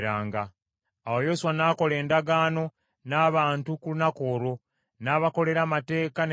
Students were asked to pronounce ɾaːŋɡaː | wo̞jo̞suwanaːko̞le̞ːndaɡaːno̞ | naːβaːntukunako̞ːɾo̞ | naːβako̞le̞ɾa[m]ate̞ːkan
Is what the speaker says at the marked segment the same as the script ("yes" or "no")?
yes